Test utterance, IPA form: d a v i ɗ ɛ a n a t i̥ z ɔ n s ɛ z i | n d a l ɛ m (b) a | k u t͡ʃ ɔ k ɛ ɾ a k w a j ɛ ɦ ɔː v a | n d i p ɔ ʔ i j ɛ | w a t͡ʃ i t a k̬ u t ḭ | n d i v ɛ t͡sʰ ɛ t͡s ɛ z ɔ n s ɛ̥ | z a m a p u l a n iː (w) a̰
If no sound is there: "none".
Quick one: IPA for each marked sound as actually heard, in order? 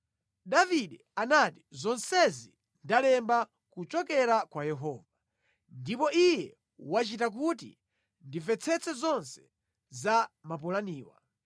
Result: b, w

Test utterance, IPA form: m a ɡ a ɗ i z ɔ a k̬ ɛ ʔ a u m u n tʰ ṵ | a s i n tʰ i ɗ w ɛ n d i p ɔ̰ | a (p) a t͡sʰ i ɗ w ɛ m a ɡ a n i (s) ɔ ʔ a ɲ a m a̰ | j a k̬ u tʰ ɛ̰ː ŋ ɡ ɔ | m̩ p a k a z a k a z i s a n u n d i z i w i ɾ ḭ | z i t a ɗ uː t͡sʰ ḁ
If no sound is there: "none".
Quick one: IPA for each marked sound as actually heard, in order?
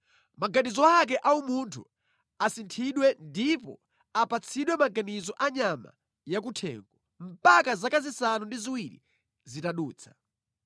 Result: p, z

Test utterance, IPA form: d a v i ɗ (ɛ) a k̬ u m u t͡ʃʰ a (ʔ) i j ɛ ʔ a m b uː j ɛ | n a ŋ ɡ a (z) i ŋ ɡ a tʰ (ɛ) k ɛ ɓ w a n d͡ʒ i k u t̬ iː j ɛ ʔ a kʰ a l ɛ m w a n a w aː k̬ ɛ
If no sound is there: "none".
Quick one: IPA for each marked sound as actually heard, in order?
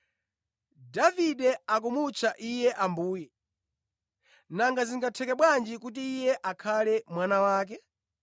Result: ɛ, ʔ, z, ɛ

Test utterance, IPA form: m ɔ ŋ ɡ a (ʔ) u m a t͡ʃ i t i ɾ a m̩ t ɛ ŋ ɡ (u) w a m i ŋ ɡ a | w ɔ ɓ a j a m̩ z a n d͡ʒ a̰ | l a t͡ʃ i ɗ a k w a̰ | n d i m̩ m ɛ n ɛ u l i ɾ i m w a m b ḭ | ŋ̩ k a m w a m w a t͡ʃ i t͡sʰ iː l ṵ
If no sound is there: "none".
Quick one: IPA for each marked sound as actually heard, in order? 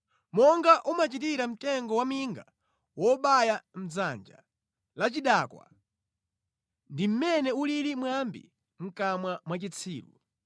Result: ʔ, ɔ

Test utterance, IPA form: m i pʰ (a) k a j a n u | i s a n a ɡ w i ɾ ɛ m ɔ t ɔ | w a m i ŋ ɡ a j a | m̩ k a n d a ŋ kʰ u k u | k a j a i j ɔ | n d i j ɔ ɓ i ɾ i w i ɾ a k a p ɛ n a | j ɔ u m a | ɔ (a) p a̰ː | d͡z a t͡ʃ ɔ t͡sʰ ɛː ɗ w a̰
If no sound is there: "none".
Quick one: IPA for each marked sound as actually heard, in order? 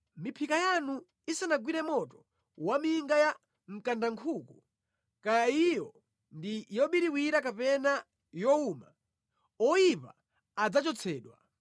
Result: i, i

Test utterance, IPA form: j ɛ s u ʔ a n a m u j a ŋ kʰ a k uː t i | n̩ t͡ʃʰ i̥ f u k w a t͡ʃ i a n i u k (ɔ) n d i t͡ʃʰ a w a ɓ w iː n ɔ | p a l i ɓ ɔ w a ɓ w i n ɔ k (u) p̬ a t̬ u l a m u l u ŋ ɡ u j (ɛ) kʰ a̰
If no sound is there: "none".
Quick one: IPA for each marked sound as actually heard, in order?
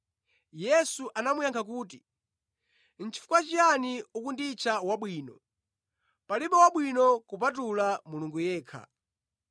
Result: u, u, ɛː

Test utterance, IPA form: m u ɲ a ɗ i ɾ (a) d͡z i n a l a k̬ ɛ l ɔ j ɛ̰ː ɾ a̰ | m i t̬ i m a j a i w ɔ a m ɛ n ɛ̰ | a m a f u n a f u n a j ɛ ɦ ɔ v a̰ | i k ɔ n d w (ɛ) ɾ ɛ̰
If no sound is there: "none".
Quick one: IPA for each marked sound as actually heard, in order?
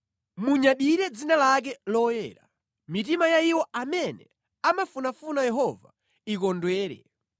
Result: ɛ, ɛː

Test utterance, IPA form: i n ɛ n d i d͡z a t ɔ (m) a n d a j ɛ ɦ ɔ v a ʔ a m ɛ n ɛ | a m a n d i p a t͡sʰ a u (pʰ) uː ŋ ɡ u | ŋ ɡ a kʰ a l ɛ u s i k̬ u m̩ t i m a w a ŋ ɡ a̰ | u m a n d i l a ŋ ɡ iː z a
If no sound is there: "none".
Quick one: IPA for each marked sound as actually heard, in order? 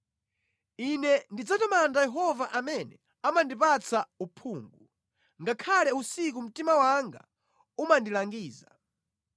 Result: m, pʰ

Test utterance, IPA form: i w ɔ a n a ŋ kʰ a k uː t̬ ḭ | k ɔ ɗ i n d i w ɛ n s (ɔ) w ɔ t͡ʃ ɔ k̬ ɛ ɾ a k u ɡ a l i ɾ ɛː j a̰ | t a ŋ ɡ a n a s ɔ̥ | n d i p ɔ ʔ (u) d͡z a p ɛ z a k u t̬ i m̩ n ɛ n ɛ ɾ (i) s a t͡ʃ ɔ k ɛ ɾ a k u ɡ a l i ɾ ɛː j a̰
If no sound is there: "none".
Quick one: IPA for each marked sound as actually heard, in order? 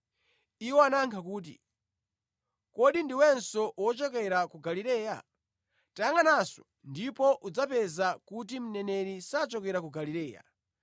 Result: ɔ, u, i

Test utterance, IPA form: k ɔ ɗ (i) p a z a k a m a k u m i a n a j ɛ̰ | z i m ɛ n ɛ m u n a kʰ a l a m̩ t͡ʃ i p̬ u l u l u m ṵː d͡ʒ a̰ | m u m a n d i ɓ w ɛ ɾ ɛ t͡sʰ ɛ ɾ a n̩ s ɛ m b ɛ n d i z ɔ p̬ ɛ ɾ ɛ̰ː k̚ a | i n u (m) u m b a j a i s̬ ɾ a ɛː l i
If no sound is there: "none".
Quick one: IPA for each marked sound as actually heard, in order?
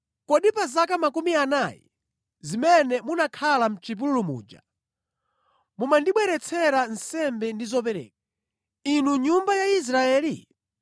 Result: i, ɲ

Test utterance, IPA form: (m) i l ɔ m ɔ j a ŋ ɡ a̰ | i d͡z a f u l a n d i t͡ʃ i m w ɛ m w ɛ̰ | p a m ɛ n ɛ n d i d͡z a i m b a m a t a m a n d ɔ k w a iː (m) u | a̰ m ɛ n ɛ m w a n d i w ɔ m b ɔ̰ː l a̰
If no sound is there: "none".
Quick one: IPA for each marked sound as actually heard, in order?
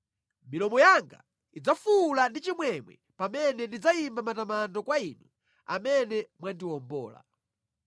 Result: m, n

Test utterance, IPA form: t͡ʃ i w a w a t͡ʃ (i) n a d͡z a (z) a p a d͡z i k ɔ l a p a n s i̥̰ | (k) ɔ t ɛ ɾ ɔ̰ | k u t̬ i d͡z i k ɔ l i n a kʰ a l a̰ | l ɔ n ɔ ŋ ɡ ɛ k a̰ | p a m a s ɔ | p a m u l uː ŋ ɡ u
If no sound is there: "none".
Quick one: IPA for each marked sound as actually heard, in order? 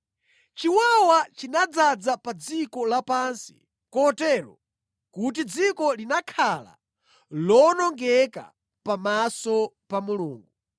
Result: i, d͡z, k

